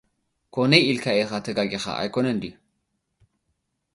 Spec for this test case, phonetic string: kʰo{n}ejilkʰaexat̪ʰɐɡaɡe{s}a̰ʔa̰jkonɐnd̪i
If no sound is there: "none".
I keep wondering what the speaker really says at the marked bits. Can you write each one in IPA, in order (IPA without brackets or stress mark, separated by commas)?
n, x